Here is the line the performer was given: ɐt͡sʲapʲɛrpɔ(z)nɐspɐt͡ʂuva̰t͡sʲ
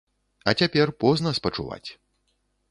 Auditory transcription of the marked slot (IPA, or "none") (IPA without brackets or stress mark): z